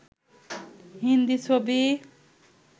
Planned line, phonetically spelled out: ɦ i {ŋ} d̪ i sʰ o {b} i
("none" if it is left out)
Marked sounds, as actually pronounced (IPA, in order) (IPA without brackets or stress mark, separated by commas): n, b